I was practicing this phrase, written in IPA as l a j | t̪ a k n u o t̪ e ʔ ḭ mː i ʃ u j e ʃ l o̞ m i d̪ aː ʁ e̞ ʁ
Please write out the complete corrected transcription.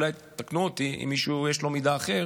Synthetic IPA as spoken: l a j | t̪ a k n u o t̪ i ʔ ḭ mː i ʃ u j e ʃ l o̞ m i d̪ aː χ e̞ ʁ